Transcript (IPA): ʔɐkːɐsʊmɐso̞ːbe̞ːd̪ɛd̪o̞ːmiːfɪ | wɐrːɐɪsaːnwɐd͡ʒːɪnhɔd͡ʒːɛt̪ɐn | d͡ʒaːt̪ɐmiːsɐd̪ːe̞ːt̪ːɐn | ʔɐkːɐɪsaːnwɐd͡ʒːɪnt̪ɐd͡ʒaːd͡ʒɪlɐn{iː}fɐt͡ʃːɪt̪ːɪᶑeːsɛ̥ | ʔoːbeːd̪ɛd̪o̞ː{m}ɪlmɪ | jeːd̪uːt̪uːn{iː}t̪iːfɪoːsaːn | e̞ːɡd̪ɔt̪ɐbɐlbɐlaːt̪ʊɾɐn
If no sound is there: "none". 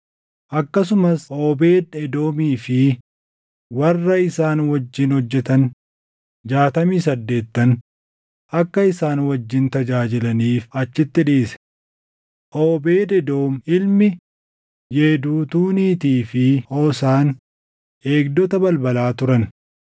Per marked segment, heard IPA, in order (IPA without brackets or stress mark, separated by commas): iː, m, iː